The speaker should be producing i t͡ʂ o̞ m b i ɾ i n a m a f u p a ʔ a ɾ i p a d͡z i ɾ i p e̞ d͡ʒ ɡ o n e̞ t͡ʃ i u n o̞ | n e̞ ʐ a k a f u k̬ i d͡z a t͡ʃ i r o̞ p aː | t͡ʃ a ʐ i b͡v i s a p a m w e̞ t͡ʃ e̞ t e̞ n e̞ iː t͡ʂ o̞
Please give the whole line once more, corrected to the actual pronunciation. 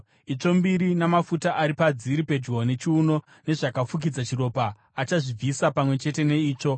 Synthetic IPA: i t͡ʂ o̞ m b i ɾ i n a m a f u t a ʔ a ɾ i p a d͡z i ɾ i p e̞ d͡ʒ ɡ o n e̞ t͡ʃ i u n o̞ | n e̞ ʐ a k a f u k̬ i d͡z a t͡ʃ i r o̞ p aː | t͡ʃ a ʐ i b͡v i s a p a m w e̞ t͡ʃ e̞ t e̞ n e̞ iː t͡ʂ o̞

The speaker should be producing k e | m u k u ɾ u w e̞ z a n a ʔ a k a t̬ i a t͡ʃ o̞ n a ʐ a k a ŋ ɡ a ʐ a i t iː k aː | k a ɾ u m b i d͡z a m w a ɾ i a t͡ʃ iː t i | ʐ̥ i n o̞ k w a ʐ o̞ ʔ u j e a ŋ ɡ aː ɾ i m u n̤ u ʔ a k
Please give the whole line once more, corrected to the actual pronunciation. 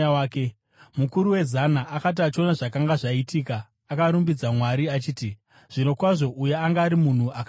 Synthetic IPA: k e | m u k u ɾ u w e̞ z a n a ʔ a k a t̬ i a t͡ʃ o̞ n a ʐ a k a ŋ ɡ a ʐ a i t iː k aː | k a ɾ u m b i d͡z a m w a ɾ i a t͡ʃ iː t i | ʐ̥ i n o̞ k w a ʐ o̞ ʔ u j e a ŋ ɡ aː ɾ i m u n̤ u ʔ a k

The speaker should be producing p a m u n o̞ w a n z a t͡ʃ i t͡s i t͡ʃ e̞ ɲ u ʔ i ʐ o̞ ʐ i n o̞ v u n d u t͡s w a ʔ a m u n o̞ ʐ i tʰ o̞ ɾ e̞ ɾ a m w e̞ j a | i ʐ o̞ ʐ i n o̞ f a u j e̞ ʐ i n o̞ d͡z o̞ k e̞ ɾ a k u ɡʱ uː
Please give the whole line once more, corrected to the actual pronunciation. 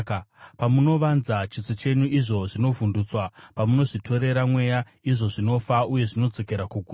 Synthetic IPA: p a m u n o̞ ʋ a n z a t͡ʃ i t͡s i t͡ʃ e̞ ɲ u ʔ i ʐ o̞ ʐ i n o̞ v u n d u t͡s w a p a m u n o̞ ʐ i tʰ o̞ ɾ e̞ ɾ a m w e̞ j a | i ʐ o̞ ʐ i n o̞ f a u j e̞ ʐ i n o̞ d͡z o̞ k e̞ ɾ a k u ɡʱ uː

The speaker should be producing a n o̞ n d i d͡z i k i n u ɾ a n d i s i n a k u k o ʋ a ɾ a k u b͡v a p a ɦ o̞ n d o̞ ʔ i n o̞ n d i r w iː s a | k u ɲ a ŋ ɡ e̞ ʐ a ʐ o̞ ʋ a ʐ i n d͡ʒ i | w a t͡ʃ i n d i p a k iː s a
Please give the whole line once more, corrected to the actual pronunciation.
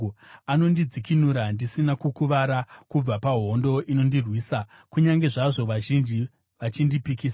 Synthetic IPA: a n o̞ n d i d͡z i k i n u ɾ a n d i s i n a k u k u ʋ a ɾ a k u b͡v a p a ɦ o̞ n d o̞ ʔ i n o̞ n d i r w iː s a | k u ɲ a ŋ ɡ e̞ ʐ a ʐ o̞ ʋ a ʒ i n d͡ʒ i | ʋ a t͡ʃ i n d i p i k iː s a

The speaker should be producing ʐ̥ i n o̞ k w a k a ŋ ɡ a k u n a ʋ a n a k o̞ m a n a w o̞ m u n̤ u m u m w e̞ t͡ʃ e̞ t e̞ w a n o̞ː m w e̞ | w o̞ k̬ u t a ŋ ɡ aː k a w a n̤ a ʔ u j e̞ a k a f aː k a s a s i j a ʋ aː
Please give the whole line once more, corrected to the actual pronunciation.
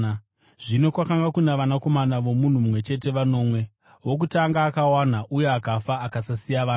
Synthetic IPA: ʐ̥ i n o̞ k w a k a ŋ ɡ a k u n a ʋ a n a k o̞ m a n a ʋ o̞ m u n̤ u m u m w e̞ t͡ʃ e̞ t e̞ ʋ a n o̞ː m w e̞ | w o̞ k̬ u t a ŋ ɡ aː k a w a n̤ a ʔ u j e̞ a k a f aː k a s a s i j a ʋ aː

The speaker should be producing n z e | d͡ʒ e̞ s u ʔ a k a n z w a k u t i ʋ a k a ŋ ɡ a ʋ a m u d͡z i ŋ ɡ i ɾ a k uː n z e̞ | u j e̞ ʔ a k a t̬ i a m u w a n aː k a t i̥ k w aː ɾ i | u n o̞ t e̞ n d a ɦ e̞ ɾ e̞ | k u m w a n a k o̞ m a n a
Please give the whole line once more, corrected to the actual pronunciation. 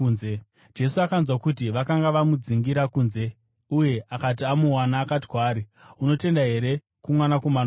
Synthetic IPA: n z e | d͡ʒ e̞ s u a k a n z w a k u t i ʋ a k a ŋ ɡ a ʋ a m u d͡z i ŋ ɡ i ɾ a k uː n z e̞ | u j e̞ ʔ a k a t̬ i a m u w a n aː k a t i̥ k w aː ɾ i | u n o̞ t e̞ n d a ɦ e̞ ɾ e̞ | k u m w a n a k o̞ m a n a

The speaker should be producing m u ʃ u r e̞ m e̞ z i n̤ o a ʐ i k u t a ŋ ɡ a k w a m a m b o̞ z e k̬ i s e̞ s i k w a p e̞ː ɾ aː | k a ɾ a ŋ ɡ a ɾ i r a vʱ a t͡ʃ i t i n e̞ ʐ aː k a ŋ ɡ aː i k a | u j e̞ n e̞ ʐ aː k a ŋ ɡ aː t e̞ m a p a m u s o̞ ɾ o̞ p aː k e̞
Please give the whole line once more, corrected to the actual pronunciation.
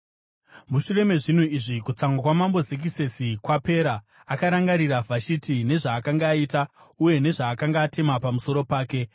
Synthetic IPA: m u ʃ u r e̞ m e̞ ʐ i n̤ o i ʐ i k u t͡s a ŋ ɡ a k w a m a m b o̞ z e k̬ i s e̞ s i k w a p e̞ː ɾ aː | k a ɾ a ŋ ɡ a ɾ i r a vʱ a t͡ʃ i t i n e̞ ʐ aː k a ŋ ɡ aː i t a | u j e̞ n e̞ ʐ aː k a ŋ ɡ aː t e̞ m a p a m u s o̞ ɾ o̞ p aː k e̞

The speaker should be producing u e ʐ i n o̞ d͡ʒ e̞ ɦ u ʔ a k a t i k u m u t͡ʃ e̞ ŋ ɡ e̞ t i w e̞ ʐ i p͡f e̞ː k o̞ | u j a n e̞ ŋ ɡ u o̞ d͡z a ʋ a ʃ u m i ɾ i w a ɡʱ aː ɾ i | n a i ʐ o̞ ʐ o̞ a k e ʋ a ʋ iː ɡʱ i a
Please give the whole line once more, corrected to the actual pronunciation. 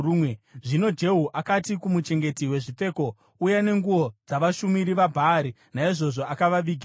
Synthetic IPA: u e ʐ i n o̞ d͡ʒ e̞ ɦ u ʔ a k a t i k u m u t͡ʃ e̞ ŋ ɡ e̞ t i w e̞ ʐ i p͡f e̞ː k o̞ | u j a n e̞ ŋ ɡ u o̞ d͡z a ʋ a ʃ u m i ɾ i ʋ a bʱ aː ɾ i | n a i ʐ o̞ ʐ o̞ a k a ʋ a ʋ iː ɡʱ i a

